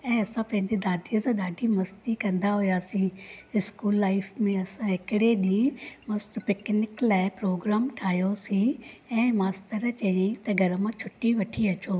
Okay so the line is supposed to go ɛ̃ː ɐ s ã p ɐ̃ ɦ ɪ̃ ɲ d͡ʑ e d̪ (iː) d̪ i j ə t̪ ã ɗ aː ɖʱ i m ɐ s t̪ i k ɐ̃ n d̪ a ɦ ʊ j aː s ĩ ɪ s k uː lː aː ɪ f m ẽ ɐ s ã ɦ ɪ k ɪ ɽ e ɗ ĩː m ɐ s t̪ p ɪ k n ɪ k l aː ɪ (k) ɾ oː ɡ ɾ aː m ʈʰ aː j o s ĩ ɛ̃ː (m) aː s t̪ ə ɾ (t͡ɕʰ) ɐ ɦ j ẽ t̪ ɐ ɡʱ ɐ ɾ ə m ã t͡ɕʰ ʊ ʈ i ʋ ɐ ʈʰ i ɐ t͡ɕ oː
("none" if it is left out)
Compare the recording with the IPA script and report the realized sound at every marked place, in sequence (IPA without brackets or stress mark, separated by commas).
aː, p, m, t͡ɕ